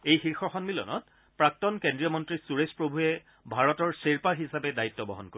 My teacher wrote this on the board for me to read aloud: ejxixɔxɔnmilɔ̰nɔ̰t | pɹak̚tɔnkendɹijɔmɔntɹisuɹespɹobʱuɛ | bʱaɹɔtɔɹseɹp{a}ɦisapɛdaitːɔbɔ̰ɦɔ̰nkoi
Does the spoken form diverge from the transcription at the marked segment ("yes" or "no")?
no